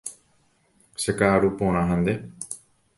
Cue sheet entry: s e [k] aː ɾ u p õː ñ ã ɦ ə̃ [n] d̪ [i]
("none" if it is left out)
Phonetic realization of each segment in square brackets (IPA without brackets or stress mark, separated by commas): k, n, e